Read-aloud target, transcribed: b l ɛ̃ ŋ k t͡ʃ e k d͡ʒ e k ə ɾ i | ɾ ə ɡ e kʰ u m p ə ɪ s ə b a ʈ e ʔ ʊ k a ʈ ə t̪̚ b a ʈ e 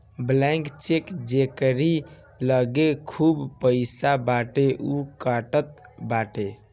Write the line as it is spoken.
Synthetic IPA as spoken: b l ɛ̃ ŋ k t͡ʃ e k d͡ʒ e k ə ɾ i | l ə ɡ e kʰ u b p ə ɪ s a b a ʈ e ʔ u k a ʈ ə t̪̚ b a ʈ e